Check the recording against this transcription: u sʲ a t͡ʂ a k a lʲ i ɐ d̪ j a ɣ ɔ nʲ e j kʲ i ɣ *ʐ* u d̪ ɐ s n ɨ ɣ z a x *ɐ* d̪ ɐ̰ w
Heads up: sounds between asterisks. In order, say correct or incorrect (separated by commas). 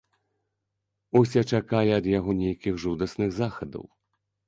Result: correct, correct